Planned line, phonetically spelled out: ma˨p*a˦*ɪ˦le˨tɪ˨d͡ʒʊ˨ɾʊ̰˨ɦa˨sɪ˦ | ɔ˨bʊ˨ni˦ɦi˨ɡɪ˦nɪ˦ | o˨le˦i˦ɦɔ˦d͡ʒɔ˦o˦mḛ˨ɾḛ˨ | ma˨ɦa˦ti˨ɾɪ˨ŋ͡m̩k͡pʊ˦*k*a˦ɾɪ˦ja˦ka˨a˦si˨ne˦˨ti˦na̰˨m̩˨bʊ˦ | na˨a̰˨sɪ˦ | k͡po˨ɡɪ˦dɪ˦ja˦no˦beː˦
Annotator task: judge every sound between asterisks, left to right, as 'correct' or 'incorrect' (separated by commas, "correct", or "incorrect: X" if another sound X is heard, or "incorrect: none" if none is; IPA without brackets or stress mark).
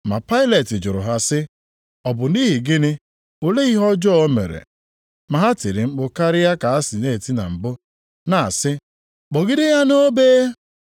correct, correct